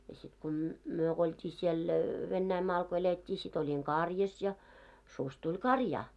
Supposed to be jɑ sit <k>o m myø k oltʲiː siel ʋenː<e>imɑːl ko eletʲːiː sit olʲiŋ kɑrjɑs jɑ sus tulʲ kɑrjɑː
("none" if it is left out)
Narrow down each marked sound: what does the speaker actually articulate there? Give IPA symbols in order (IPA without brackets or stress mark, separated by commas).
k, æ